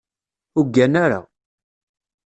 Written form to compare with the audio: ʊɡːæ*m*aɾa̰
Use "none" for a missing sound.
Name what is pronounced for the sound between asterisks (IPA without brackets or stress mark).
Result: n